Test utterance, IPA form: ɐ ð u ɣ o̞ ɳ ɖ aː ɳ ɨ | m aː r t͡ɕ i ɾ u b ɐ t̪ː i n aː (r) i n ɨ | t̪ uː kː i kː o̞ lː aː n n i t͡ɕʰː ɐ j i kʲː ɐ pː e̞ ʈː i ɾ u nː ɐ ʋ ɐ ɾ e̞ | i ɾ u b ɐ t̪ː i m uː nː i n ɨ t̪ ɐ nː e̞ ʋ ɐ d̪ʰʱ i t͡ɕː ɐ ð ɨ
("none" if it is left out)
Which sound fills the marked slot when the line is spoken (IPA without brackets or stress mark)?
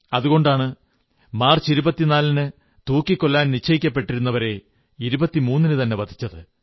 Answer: l